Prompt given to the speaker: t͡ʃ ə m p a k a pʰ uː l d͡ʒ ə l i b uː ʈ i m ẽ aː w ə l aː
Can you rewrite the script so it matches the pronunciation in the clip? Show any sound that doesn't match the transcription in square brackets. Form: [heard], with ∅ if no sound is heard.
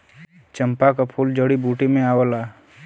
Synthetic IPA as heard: t͡ʃ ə m p a k a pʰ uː l d͡ʒ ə [ɽ] i b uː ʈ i m ẽ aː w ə l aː